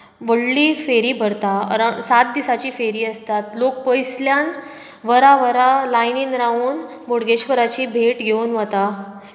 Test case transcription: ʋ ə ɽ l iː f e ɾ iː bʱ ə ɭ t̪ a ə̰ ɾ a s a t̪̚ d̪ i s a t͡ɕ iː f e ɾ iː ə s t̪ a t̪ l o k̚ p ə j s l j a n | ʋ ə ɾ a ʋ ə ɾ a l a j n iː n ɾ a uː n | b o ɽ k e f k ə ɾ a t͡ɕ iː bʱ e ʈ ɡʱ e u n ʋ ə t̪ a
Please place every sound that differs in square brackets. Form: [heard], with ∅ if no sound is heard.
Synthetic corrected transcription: ʋ ə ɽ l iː f e ɾ iː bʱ ə [ɾ] t̪ a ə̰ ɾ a s a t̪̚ d̪ i s a t͡ɕ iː f e ɾ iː ə s t̪ a t̪ l o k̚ p ə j s l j a n | ʋ ə ɾ a ʋ ə ɾ a l a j n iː n ɾ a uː n | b o ɽ [ɡ] e [ɕ] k ə ɾ a t͡ɕ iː bʱ e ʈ ɡʱ e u n ʋ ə t̪ a